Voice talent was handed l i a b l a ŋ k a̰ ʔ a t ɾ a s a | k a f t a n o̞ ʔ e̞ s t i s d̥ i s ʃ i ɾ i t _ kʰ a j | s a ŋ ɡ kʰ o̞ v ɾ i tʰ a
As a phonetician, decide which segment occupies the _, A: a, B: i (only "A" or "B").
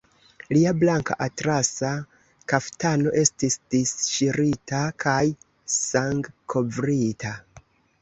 A